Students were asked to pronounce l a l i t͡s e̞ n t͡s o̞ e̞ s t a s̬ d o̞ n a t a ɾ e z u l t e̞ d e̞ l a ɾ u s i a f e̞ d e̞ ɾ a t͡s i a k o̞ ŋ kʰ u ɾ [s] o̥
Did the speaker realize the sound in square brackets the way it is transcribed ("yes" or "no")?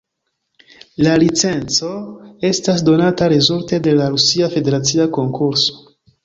yes